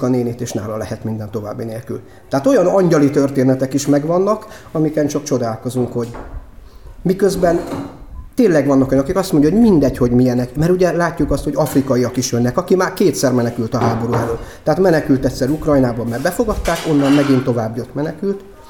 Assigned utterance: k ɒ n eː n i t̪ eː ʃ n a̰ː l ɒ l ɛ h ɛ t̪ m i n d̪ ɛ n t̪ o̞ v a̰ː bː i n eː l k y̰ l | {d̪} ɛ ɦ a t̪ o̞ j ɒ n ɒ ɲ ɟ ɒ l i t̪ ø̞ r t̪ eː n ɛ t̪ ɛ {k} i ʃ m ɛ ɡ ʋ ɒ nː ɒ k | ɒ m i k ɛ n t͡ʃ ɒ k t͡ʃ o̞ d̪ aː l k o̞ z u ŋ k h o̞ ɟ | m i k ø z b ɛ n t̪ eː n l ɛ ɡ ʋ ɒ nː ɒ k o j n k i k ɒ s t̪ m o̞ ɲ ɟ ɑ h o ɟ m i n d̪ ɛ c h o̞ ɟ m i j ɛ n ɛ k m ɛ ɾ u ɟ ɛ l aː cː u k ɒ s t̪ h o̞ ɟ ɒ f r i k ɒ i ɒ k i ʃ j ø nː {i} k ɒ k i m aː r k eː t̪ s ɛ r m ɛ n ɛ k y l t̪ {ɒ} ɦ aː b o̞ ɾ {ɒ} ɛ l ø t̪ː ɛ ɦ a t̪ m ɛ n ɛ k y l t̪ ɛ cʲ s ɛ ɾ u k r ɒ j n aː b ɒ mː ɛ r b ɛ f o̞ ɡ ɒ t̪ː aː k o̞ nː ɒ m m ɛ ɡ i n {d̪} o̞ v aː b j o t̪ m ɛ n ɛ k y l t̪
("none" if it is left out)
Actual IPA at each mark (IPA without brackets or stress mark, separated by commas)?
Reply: t̪, k, ɛ, ɒ, u, t̪